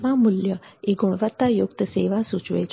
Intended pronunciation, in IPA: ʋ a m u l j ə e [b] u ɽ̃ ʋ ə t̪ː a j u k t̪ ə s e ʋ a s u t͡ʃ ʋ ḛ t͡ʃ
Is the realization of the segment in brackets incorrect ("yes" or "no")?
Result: yes